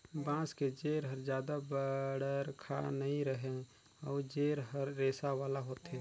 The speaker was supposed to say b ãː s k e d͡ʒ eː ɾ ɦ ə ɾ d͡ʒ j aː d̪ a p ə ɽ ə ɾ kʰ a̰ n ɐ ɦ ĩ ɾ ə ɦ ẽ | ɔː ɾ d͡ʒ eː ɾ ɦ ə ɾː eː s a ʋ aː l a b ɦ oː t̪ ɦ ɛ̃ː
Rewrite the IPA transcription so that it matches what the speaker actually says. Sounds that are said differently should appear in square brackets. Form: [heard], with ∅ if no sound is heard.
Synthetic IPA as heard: b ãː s k e d͡ʒ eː ɾ ɦ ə ɾ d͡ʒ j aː d̪ a [b] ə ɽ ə ɾ kʰ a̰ n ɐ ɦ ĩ ɾ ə ɦ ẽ | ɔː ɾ d͡ʒ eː ɾ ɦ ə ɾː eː s a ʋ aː l a [∅] ɦ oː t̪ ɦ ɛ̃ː